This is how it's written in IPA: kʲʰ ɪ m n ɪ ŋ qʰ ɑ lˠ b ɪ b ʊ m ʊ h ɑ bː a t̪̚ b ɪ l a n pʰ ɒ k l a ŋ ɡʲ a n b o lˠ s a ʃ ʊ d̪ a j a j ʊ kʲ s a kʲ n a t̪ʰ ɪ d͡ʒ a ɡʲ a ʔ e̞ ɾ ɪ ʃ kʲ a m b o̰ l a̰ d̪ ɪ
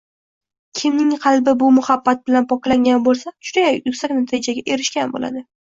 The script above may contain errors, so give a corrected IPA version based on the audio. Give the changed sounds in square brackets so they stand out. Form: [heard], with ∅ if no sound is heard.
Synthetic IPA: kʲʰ ɪ m n ɪ ŋ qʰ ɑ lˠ b ɪ b ʊ m ʊ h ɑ bː a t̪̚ b ɪ l a n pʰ ɒ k l a ŋ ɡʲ a n b o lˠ s a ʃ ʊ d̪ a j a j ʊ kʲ s a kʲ n a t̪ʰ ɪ d͡ʒ a ɡʲ a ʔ e̞ ɾ ɪ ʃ kʲ a [n] b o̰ l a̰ d̪ ɪ